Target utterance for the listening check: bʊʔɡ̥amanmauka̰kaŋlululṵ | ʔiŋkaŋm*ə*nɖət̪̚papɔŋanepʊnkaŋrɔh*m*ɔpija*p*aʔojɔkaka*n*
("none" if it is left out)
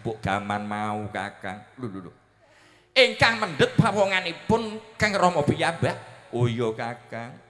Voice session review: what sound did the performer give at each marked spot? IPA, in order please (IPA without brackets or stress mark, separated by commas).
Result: ə, m, b, ŋ